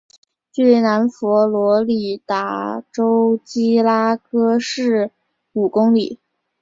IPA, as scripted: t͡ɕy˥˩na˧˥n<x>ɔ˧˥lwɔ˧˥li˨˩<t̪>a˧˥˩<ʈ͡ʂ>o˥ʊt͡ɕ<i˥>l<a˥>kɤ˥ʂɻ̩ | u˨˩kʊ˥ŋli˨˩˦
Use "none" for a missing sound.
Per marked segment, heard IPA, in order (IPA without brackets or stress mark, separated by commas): f, t̪, ʈ͡ʂ, i˥, a˥